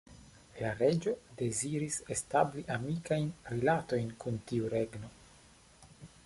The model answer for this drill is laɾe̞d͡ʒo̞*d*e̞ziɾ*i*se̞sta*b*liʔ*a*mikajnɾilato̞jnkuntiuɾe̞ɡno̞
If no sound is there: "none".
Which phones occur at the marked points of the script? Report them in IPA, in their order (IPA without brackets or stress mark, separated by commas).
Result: d, i, b, a